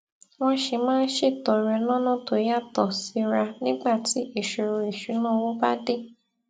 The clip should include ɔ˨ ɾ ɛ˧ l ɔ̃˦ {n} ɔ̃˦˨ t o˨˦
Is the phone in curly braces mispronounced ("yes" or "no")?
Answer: no